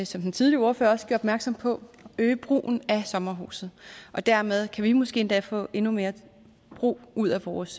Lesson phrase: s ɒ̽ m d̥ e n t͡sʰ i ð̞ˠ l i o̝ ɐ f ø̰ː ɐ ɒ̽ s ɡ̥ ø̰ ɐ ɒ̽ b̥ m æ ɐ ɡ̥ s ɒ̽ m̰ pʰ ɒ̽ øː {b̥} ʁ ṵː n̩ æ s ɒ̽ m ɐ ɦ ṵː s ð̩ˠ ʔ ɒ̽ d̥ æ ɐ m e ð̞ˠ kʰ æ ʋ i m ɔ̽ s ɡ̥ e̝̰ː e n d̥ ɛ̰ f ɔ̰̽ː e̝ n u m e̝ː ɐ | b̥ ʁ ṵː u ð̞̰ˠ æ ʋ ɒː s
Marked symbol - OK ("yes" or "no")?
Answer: yes